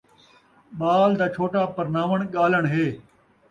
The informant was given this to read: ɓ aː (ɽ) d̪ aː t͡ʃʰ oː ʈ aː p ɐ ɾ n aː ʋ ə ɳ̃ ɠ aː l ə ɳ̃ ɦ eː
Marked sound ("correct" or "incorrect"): incorrect